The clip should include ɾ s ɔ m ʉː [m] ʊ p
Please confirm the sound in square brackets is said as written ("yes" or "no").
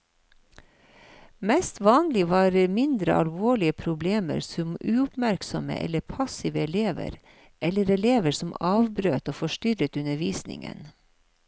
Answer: no